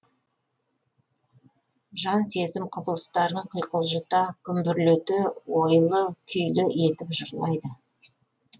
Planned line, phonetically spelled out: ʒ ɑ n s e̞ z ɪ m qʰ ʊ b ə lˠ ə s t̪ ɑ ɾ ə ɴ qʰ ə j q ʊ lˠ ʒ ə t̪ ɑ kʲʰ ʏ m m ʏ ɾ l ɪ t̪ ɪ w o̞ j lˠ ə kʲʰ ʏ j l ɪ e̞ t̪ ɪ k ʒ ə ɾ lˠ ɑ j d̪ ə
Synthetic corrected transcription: ʒ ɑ n s e̞ z ɪ m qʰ ʊ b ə lˠ ə s t̪ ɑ ɾ ə ɴ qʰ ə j q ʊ lˠ ʒ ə t̪ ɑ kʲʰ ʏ m b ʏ ɾ l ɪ t̪ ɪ w o̞ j lˠ ə kʲʰ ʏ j l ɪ e̞ t̪ ɪ p ʒ ə ɾ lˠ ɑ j d̪ ə